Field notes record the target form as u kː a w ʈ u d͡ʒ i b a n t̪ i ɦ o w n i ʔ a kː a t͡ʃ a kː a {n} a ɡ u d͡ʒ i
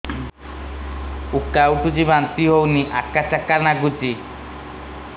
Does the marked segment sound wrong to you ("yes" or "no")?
no